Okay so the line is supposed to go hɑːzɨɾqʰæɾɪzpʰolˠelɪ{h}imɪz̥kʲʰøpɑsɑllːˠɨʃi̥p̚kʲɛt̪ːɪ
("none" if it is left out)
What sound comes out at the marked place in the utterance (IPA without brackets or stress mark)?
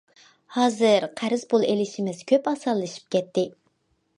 ʃ